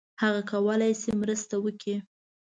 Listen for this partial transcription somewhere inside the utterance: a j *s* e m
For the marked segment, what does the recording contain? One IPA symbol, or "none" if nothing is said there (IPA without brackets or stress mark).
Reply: s